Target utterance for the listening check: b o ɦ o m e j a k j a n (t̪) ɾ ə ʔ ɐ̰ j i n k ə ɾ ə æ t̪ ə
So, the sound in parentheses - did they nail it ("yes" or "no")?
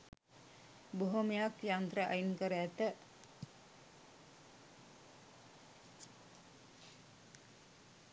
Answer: yes